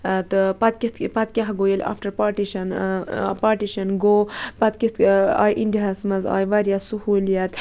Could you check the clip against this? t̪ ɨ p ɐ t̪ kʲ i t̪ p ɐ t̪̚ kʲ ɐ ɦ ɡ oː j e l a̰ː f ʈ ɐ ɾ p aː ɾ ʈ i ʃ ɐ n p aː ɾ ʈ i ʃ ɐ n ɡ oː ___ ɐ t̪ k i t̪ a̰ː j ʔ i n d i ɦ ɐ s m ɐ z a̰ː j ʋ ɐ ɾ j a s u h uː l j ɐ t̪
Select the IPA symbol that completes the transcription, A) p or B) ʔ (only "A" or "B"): A